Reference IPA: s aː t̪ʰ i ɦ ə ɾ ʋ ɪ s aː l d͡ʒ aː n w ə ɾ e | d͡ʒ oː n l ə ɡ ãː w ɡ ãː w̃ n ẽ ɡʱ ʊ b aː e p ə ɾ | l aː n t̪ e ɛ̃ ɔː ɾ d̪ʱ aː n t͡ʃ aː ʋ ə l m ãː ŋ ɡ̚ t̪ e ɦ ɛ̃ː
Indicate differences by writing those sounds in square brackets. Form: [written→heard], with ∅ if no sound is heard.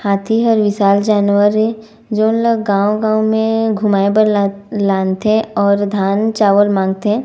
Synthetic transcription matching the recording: [s→h] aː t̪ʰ i ɦ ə ɾ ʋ ɪ s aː l d͡ʒ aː n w ə ɾ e | d͡ʒ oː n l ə ɡ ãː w ɡ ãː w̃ [n→m] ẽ ɡʱ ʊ [b→m] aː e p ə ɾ | l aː n t̪ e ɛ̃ ɔː ɾ d̪ʱ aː n t͡ʃ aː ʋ ə l m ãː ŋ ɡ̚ t̪ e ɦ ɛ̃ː